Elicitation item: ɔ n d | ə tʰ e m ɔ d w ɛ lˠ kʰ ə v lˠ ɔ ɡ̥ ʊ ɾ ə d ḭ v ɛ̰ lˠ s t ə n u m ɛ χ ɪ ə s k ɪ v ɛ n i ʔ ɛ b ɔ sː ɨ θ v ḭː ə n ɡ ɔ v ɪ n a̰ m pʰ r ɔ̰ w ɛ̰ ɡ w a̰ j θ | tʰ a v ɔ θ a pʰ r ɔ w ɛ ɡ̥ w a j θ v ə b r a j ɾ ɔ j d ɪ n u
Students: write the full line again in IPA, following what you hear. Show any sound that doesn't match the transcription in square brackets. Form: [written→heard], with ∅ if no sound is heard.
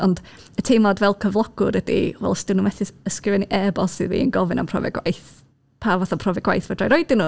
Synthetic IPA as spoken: ɔ n d | ə tʰ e m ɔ d [w→v] ɛ lˠ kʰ ə v lˠ ɔ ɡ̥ ʊ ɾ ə d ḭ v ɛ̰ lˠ s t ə n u m ɛ [χ→θ] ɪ ə s k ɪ v ɛ n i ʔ ɛ b ɔ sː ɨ [θ→ð] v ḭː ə n ɡ ɔ v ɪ n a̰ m pʰ r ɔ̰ [w→v] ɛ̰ ɡ w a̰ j θ | [tʰ→pʰ] a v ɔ θ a pʰ r ɔ [w→v] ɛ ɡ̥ w a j θ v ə [b→d] r a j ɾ ɔ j d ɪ n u